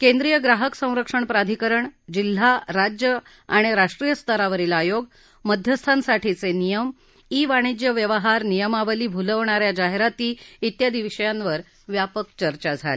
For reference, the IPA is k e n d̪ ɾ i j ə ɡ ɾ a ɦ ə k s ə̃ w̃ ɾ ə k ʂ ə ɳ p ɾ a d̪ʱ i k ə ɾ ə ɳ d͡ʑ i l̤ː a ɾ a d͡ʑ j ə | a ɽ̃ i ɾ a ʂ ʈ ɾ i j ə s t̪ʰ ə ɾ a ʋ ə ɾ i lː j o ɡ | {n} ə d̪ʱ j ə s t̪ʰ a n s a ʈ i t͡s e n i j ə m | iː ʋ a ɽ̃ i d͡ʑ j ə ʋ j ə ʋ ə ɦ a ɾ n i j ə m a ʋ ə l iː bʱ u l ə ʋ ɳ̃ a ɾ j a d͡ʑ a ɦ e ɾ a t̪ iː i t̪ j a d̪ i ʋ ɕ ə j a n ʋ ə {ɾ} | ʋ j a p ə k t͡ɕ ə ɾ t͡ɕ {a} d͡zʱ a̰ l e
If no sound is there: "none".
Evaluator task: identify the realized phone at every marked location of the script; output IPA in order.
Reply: m, ɾ, a

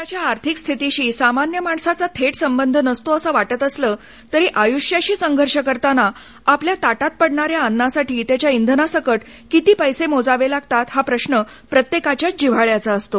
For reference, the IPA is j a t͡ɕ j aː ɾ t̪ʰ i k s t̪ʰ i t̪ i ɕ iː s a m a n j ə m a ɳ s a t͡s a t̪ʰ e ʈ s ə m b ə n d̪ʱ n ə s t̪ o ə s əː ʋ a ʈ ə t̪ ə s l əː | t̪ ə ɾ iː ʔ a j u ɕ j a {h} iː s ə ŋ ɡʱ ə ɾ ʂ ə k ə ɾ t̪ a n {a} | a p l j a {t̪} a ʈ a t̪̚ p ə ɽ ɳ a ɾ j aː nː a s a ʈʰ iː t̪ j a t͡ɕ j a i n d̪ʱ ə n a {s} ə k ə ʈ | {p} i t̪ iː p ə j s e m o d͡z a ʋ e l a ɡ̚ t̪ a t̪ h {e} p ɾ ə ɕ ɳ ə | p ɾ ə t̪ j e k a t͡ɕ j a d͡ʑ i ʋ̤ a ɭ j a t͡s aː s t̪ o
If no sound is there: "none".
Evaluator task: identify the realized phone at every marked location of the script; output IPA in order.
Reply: ɕ, a, t̪, s, k, a

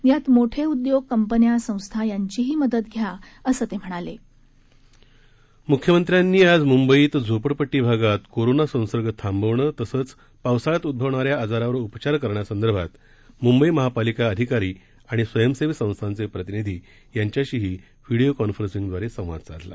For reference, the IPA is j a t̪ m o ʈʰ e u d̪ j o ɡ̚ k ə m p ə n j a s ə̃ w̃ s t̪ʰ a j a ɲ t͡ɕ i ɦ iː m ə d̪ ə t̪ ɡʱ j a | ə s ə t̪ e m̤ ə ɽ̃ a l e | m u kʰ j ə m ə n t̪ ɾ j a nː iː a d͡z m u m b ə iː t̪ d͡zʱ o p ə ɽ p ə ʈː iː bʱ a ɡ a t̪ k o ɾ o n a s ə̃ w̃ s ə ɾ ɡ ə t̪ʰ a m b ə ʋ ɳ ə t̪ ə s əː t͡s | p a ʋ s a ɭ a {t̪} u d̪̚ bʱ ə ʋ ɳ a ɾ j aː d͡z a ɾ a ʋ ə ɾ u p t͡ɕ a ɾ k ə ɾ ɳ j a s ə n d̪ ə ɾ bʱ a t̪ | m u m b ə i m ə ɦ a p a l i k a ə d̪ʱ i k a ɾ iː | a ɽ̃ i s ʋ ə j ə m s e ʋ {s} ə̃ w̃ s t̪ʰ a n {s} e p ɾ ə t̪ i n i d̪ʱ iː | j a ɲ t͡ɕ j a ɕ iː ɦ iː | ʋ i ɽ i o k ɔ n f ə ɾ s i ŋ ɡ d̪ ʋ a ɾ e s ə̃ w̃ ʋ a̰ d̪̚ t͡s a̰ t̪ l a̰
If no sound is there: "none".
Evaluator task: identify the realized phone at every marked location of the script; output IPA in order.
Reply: t̪, s, t͡s

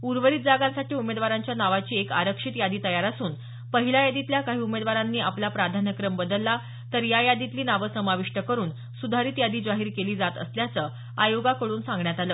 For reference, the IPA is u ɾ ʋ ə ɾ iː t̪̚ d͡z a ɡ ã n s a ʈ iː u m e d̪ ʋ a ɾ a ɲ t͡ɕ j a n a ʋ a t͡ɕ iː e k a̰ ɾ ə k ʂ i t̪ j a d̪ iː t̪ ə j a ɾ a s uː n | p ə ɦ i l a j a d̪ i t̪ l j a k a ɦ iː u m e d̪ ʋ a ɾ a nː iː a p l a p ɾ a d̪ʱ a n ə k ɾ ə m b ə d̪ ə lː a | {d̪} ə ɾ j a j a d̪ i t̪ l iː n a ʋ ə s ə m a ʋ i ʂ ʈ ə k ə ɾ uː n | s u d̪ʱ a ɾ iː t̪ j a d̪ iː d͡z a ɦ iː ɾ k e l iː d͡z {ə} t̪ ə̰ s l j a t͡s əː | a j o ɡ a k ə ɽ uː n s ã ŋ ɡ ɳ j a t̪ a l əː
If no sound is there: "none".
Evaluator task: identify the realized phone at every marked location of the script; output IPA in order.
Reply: t̪, a

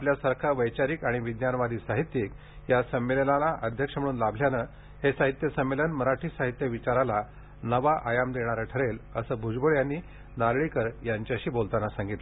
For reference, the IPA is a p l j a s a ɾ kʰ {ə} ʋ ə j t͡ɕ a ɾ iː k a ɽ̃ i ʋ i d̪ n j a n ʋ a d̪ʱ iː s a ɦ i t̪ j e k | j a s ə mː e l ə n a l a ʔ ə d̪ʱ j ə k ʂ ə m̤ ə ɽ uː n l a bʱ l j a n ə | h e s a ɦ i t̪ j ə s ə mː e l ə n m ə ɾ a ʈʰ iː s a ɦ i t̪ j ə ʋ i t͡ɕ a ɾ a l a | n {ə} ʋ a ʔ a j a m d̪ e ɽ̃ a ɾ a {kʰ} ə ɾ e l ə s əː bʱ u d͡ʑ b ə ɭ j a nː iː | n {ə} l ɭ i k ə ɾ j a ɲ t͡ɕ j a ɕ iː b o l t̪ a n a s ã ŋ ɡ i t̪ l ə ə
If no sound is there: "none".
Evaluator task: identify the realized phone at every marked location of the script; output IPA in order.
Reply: a, ə, ʈʰ, a

